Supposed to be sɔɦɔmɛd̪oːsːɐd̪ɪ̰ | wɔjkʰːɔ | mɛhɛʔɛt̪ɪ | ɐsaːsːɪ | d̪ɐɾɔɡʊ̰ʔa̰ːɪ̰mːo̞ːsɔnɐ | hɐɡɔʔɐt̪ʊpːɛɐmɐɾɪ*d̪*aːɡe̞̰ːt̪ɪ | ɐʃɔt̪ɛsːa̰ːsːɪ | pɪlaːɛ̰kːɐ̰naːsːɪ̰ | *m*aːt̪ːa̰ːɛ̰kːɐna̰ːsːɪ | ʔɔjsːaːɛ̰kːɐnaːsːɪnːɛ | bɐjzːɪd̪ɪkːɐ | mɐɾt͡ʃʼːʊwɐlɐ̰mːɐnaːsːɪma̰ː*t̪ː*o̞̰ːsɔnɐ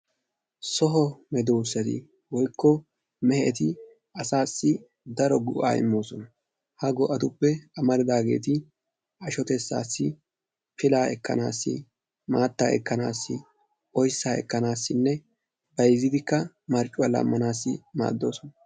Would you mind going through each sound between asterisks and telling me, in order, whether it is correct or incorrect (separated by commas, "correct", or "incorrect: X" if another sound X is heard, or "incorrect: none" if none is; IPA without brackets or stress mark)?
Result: correct, correct, incorrect: d̪ː